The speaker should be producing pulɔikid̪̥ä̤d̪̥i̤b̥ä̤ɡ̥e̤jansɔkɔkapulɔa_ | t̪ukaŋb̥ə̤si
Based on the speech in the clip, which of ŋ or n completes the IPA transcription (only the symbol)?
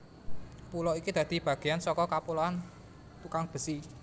n